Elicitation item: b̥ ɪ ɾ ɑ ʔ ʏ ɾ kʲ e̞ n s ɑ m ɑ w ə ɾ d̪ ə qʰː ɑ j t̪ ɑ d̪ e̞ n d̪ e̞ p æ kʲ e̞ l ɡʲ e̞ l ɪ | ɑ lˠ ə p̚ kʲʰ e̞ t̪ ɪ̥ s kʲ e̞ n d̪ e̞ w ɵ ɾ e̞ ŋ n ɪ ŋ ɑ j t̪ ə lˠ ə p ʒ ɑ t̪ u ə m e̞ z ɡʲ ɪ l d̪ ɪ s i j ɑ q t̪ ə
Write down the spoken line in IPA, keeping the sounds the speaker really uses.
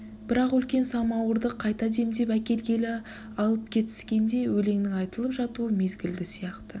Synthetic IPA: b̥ ɪ ɾ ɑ q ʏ l kʲ e̞ n s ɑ m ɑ w ə ɾ d̪ ə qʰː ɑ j t̪ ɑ d̪ e̞ m d̪ e̞ p æ kʲ e̞ l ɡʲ e̞ l ɪ | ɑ lˠ ə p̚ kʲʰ e̞ t̪ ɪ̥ s kʲ e̞ n d̪ e̞ w ɵ l e̞ ŋ n ɪ ŋ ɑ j t̪ ə lˠ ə p ʒ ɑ t̪ u ə m e̞ z ɡʲ ɪ l d̪ ɪ s i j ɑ q t̪ ə